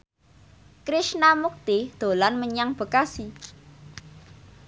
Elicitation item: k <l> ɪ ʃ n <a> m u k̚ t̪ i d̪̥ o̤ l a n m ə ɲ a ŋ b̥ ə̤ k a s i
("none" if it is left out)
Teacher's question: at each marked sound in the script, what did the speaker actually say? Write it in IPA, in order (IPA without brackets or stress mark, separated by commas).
ɾ, a